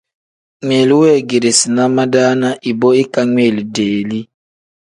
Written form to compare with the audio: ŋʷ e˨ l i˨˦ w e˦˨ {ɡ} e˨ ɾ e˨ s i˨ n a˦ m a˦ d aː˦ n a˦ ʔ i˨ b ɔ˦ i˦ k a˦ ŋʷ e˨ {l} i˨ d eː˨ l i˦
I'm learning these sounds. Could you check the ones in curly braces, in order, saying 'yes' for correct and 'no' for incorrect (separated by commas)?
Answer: yes, yes